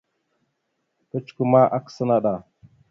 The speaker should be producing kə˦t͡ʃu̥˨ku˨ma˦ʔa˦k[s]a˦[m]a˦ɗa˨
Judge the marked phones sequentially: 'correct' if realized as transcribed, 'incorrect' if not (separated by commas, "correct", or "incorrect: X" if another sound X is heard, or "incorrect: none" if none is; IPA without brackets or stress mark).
correct, incorrect: n